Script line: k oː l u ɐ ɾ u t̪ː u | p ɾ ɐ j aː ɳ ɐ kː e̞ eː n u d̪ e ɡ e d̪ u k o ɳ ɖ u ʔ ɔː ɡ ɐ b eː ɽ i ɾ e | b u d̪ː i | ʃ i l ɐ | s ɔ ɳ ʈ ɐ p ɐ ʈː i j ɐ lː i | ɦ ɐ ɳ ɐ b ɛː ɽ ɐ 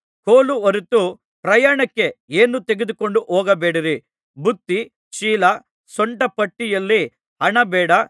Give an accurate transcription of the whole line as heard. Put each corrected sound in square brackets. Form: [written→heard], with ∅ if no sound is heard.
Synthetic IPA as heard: k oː l u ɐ ɾ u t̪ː u | p ɾ ɐ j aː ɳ ɐ kː e̞ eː n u [d̪→t̪] e ɡ e d̪ u k o ɳ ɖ u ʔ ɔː ɡ ɐ b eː ɽ i ɾ [e→i] | b u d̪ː i | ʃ [i→iː] l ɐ | s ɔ ɳ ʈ ɐ p ɐ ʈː i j ɐ lː i | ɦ ɐ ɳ ɐ b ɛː ɽ ɐ